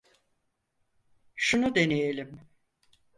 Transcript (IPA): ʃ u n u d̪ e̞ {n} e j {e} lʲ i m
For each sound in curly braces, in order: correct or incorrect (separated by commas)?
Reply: correct, correct